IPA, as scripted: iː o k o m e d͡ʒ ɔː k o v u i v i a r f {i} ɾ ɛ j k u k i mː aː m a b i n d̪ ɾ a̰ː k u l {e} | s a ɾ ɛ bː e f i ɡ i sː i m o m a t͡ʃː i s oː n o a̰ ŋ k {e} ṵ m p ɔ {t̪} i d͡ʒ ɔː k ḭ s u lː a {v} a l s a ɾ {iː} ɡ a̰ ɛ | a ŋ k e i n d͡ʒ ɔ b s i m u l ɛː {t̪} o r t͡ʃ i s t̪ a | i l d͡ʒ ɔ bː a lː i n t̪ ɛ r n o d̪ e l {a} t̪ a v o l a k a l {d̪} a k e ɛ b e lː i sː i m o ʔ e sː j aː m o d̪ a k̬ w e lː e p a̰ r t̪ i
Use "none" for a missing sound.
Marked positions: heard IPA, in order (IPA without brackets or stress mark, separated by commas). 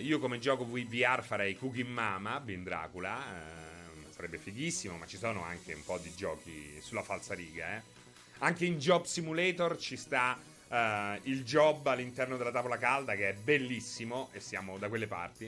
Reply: a, a, e, d̪, f, iː, t̪, a, d̪